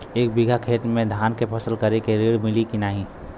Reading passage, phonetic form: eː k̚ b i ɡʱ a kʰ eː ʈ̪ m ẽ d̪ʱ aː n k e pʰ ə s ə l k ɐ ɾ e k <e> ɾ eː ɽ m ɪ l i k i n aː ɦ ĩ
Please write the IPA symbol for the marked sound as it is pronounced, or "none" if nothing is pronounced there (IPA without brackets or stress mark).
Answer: e